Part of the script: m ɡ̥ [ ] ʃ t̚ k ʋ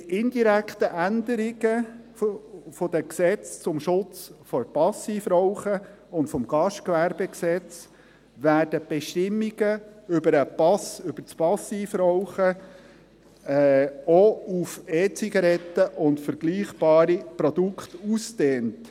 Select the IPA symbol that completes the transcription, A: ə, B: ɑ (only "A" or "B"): B